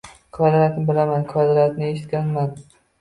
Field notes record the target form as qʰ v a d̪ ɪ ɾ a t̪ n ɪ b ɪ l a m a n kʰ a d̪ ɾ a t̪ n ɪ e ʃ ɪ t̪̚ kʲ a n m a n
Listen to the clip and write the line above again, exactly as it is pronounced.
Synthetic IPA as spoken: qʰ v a d̪ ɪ ɾ a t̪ n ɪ b ɪ l a m a n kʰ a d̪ ɾ a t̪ n ɪ e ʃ ɪ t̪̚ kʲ a n m a n